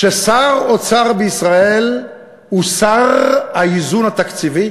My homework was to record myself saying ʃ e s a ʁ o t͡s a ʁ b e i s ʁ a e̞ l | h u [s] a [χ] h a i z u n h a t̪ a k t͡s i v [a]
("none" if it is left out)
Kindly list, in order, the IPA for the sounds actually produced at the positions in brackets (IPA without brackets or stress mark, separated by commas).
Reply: s, ʁ, i